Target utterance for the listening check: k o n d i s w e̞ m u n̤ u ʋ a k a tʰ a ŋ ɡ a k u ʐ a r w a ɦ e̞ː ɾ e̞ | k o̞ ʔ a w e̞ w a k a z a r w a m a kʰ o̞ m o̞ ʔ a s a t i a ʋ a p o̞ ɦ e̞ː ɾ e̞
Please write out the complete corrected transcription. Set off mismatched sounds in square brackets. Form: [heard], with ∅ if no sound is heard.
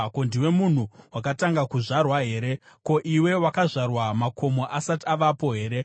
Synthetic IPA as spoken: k o n d i [∅] w e̞ m u n̤ u [w] a k a [t] a ŋ ɡ a k u ʐ a r w a ɦ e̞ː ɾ e̞ | k o̞ ʔ [i] w e̞ w a k a [ʐ] a r w a m a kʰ o̞ m o̞ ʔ a s a t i a ʋ a p o̞ ɦ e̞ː ɾ e̞